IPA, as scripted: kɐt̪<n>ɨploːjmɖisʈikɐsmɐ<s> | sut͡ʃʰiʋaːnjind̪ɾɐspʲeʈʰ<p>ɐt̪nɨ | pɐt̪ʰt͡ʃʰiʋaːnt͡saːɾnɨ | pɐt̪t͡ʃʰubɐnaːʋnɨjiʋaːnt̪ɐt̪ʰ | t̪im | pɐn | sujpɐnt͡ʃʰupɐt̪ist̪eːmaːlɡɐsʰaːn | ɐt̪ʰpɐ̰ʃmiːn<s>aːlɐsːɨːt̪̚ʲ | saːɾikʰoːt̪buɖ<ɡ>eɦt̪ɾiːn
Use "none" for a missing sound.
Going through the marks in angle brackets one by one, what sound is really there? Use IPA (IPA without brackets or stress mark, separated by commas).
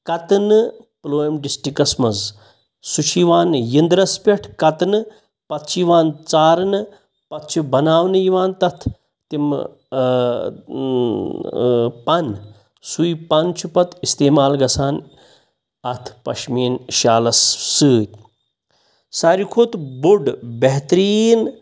n, z, k, ʃ, b